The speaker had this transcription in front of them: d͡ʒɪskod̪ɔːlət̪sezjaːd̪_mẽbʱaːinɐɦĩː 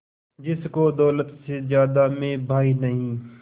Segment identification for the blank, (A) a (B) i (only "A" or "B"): A